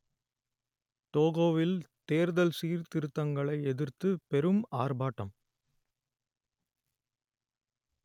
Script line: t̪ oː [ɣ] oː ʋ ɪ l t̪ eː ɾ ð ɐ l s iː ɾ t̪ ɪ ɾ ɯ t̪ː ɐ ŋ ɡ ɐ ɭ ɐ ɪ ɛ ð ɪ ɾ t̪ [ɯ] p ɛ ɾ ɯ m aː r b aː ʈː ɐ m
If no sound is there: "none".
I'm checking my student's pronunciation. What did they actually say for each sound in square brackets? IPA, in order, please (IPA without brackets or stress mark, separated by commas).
ɣ, ɯ